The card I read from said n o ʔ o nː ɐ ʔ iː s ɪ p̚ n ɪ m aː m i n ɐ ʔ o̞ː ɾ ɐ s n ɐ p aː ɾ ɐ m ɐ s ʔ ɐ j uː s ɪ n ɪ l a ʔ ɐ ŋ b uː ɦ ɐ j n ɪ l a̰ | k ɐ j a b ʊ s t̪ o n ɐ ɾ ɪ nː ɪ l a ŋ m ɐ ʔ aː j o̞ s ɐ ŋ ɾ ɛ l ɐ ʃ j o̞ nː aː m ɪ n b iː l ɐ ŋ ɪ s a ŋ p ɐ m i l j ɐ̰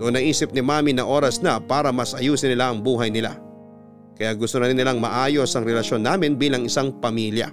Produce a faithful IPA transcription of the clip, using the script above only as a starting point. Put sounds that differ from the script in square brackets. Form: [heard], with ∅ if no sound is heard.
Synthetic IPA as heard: n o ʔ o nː ɐ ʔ iː s ɪ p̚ n ɪ m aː m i n ɐ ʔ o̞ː ɾ ɐ s n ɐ p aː ɾ ɐ m ɐ s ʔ ɐ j uː s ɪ n ɪ l a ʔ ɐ ŋ b uː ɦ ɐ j n ɪ l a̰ | k ɐ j a [ɡ] ʊ s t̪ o n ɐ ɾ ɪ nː ɪ l a ŋ m ɐ ʔ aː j o̞ s ɐ ŋ ɾ ɛ l ɐ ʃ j o̞ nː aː m ɪ n b iː l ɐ ŋ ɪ s a ŋ p ɐ m i l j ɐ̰